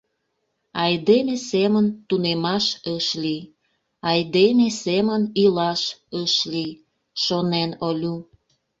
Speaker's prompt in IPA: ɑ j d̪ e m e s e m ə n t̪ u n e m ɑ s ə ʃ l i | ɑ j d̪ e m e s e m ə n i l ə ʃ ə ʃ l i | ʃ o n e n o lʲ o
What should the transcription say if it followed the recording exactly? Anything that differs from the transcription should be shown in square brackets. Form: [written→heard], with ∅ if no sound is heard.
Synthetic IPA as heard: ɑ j d̪ e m e s e m ə n t̪ u n e m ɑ [s→ʃ] ə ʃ l i | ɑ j d̪ e m e s e m ə n i l [ə→ɑ] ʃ ə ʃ l i | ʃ o n e n o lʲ [o→u]

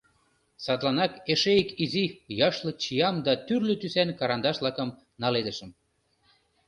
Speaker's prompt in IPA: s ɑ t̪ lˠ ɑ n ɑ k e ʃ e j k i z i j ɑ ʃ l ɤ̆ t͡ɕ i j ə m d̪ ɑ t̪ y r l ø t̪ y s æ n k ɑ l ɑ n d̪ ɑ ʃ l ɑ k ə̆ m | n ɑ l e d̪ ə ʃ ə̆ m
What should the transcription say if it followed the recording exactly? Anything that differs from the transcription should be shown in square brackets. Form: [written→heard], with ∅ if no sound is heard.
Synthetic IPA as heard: s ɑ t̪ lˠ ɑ n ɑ k e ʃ e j k i z i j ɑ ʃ l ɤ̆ t͡ɕ i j [ə→ɑ] m d̪ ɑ t̪ y r l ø t̪ y s æ n k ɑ [l→ɾ] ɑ n d̪ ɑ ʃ l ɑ k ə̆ m | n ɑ l e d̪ ə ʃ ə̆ m

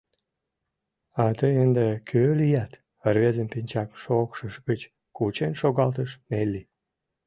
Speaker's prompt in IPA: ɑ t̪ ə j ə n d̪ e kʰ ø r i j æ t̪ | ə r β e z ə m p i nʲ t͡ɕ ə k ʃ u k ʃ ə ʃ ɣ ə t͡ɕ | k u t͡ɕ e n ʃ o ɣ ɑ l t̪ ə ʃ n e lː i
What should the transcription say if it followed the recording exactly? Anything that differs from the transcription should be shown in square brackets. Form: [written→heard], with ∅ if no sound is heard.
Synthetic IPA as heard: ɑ t̪ ə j ə n d̪ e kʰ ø [r→l] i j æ t̪ | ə r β e z ə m p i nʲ t͡ɕ [ə→ɑ] k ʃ [u→o] k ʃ ə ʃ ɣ ə t͡ɕ | k u t͡ɕ e n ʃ o ɣ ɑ l t̪ ə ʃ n e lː i

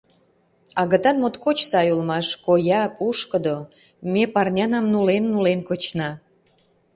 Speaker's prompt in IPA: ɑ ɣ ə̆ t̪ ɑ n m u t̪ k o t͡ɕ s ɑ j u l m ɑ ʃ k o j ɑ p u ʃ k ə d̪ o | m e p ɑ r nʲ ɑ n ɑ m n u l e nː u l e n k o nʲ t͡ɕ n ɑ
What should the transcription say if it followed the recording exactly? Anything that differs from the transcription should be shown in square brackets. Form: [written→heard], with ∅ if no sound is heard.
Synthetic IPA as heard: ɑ ɣ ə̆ t̪ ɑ n m [u→o] t̪ k o t͡ɕ s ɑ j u l m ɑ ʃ k o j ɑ p u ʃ k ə d̪ o | m e p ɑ r nʲ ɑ n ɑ m n u l e nː u l e n k o [nʲ→∅] t͡ɕ n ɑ

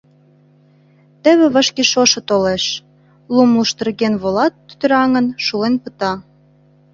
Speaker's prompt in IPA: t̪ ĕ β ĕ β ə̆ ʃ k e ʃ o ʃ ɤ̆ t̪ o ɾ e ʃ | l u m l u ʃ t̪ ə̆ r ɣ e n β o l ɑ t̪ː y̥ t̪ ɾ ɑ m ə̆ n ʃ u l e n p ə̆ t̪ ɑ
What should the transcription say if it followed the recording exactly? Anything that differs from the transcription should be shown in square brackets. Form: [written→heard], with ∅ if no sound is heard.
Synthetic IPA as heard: t̪ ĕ β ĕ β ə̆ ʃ k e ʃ o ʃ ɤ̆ t̪ o [ɾ→l] e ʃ | l u m l u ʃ t̪ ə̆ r ɣ e n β o l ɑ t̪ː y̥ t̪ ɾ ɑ [m→ŋ] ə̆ n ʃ u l e n p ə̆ t̪ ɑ

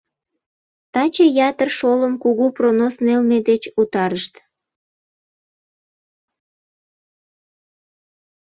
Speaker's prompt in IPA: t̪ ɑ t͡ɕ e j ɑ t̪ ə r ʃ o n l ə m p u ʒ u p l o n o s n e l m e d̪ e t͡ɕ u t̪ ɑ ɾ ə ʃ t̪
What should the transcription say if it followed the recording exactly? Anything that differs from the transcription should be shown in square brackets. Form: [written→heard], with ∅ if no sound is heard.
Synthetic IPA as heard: t̪ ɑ t͡ɕ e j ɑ t̪ ə r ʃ o [n→∅] l ə m [p→k] u [ʒ→ɣ] u p [l→r] o n o s n e l m e d̪ e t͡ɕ u t̪ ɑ ɾ ə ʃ t̪

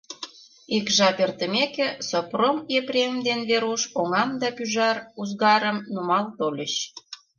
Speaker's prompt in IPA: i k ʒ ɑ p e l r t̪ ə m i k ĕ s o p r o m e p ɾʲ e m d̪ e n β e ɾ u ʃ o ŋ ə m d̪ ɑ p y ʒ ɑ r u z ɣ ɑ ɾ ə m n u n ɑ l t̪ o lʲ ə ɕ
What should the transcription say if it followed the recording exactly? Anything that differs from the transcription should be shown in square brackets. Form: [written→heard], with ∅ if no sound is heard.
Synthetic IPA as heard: i k ʒ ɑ p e [l→∅] r t̪ ə m [i→e] k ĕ s o p r o m e p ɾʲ e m d̪ e n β e ɾ u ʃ o ŋ [ə→ɑ] m d̪ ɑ p y ʒ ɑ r u z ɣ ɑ ɾ ə m n u [n→m] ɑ l t̪ o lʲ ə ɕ

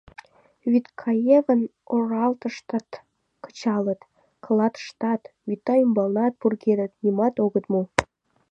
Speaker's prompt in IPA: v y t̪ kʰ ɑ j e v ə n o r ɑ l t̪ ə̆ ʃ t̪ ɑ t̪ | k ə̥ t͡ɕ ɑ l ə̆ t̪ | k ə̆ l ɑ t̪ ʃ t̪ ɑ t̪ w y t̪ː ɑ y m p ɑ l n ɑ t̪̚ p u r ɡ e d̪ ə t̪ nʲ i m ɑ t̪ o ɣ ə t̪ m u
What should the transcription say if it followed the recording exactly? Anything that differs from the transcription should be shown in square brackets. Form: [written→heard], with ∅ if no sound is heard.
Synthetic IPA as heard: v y t̪ kʰ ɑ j e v ə n o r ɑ l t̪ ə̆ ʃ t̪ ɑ t̪ | k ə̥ t͡ɕ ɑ l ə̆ t̪ | k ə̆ l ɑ t̪ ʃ t̪ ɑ t̪ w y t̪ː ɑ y m [p→b] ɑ l n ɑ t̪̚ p u r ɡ e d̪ ə t̪ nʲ i m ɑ t̪ o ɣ ə t̪ m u

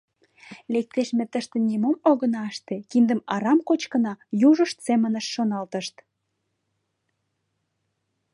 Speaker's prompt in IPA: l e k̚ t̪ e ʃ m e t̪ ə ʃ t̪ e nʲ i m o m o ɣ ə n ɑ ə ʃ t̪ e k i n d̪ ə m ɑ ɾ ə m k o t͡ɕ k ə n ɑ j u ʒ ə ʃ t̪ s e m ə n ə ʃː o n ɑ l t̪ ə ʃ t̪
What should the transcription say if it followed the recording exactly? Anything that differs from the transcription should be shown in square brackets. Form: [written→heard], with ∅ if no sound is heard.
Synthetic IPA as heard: l e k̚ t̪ e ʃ m e t̪ ə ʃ t̪ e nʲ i m o m o ɣ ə n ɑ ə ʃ t̪ e k i n d̪ ə m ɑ ɾ [ə→ɑ] m k o t͡ɕ k ə n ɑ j u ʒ ə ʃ t̪ s e m ə n ə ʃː o n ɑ l t̪ ə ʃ t̪

